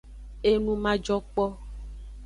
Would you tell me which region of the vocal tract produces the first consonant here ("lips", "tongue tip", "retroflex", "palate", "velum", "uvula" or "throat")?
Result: tongue tip